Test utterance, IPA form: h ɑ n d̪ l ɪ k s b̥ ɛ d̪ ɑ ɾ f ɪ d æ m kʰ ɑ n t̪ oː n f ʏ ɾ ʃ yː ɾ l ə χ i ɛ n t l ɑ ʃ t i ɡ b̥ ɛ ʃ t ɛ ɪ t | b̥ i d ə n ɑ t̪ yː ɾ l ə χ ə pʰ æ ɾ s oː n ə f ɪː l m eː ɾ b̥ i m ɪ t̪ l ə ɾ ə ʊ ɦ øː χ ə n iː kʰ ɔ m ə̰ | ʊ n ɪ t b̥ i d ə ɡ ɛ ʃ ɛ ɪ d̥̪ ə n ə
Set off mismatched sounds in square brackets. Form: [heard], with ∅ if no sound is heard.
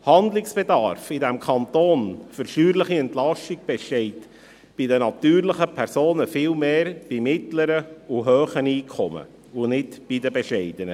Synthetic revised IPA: h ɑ n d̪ l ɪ k s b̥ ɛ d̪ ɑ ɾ f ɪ d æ m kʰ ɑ n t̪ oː n f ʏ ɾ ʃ yː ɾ l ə χ i ɛ n t l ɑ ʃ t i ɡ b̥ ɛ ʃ t ɛ ɪ t | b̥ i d ə n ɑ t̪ yː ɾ l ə χ ə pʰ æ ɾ s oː n ə f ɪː l m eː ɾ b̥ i m ɪ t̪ l ə ɾ ə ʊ ɦ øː χ ə n iː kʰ ɔ m ə̰ | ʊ n ɪ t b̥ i d ə [b] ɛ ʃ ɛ ɪ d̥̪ ə n ə